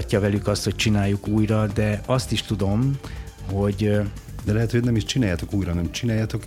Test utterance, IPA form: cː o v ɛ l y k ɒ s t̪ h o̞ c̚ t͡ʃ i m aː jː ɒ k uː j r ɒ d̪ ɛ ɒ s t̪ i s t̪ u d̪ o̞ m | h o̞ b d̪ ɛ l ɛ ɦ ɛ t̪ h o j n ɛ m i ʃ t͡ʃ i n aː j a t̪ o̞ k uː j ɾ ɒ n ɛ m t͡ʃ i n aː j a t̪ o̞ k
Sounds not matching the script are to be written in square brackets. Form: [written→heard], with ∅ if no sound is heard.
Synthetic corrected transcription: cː [o→ɒ] v ɛ l y k ɒ s t̪ h o̞ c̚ t͡ʃ i [m→n] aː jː [ɒ→u] k uː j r ɒ d̪ ɛ ɒ s t̪ i [s→ʃ] t̪ u d̪ o̞ m | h o̞ [b→ɟ] d̪ ɛ l ɛ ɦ ɛ t̪ h o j n ɛ m i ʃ t͡ʃ i n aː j a t̪ o̞ k uː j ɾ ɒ n ɛ m t͡ʃ i n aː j a t̪ o̞ k